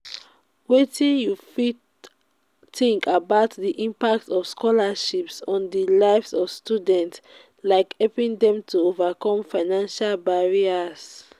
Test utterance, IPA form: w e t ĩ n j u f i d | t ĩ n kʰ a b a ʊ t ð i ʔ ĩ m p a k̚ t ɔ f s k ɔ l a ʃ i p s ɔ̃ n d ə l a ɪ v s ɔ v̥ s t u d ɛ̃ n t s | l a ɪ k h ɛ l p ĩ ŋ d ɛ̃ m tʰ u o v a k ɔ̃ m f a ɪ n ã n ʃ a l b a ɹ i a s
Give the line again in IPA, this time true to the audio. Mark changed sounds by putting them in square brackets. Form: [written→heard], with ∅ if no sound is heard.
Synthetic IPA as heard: w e t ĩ n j u f i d | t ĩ [n→ŋ] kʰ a b a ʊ t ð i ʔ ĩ m p a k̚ t ɔ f s k ɔ l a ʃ i p s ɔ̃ n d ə l a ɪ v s ɔ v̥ s t u d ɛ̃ n t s | l a ɪ k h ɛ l p ĩ ŋ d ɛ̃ m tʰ u o v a k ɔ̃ m f a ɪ n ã n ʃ a l b a ɹ i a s